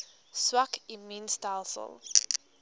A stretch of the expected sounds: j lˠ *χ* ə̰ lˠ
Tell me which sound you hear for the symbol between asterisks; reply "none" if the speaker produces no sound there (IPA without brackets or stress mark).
s